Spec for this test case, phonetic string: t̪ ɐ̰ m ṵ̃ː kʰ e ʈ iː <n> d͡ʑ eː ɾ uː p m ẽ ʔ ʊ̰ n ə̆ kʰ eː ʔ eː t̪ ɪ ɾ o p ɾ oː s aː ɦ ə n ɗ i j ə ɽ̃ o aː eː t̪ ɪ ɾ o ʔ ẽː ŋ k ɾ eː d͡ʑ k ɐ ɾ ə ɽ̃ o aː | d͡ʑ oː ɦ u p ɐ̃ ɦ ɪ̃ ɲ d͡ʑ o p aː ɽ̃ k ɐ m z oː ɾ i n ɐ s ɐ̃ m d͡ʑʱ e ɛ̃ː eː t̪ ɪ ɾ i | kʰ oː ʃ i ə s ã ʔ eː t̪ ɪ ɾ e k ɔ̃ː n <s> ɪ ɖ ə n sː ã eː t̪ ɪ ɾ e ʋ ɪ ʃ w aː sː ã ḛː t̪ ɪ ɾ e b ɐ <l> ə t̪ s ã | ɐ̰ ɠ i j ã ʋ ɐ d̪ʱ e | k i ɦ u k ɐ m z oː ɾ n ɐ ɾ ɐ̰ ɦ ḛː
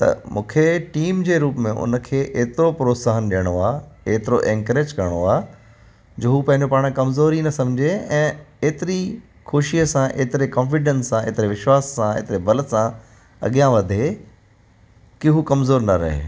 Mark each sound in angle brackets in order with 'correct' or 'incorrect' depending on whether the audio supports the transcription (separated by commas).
incorrect, incorrect, correct